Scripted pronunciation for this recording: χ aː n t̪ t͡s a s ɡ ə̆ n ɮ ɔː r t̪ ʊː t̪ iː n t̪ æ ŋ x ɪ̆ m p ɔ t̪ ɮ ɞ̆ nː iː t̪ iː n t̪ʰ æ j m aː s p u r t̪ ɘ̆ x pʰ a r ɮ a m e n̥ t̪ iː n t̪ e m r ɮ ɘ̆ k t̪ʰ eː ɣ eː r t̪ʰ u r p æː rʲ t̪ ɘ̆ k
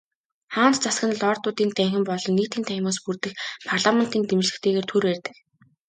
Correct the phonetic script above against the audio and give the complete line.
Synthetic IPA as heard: χ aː n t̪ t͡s a s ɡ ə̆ n ɮ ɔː r t̪ ʊː t̪ iː n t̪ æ ŋ x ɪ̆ m p ɔ ɮ ɞ̆ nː iː t̪ iː n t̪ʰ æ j m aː s p u r t̪ ɘ̆ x pʰ a r ɮ a m e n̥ t̪ iː n t̪ e m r ɮ ɘ̆ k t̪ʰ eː ɣ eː r t̪ʰ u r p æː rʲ t̪ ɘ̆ k